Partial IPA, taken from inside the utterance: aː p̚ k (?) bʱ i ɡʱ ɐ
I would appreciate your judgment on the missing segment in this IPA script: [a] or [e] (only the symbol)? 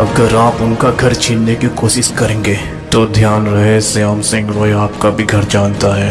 a